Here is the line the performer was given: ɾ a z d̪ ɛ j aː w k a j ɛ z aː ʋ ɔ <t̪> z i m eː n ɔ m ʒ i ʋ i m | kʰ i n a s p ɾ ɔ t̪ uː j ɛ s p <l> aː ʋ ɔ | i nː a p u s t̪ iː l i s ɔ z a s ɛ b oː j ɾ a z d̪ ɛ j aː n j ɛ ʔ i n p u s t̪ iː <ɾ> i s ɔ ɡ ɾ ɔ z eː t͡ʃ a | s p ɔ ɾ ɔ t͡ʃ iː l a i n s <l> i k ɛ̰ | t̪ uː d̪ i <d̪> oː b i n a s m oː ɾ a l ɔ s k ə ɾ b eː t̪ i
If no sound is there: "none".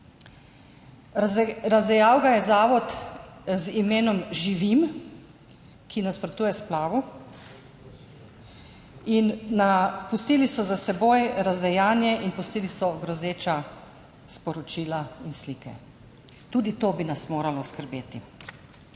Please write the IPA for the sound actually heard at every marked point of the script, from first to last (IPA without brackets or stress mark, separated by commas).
t̪, l, l, l, t̪